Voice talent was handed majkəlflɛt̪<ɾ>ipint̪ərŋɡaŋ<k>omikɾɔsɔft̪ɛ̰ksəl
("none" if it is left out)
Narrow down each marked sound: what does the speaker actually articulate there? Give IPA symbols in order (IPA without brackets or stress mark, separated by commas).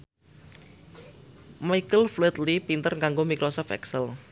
l, ɡ